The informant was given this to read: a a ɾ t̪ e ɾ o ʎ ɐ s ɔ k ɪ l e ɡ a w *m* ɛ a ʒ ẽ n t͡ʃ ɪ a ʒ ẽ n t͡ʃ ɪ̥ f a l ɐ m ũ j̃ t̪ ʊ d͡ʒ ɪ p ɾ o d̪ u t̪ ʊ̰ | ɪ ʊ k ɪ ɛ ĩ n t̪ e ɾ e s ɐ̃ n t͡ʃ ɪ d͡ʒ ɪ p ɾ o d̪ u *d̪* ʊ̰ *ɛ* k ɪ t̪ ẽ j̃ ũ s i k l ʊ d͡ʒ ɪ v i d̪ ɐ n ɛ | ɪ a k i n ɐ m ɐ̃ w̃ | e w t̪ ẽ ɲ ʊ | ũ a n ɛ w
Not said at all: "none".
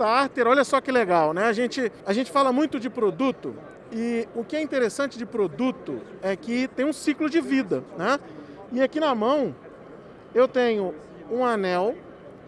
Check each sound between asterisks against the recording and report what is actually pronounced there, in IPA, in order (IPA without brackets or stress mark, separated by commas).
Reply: n, t̪, ɛ